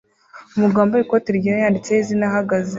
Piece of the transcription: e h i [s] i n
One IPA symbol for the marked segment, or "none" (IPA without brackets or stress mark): z